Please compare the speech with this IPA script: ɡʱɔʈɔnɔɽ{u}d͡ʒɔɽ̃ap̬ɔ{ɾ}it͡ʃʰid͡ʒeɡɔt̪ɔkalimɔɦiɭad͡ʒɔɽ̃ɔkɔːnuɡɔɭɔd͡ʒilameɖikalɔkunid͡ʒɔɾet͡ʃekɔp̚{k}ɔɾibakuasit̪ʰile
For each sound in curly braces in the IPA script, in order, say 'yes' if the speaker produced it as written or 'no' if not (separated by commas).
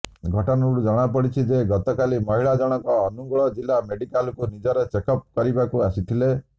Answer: yes, no, yes